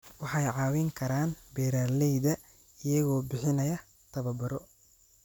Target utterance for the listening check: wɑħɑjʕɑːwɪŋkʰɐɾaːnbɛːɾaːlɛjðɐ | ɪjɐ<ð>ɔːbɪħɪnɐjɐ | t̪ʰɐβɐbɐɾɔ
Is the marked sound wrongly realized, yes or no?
yes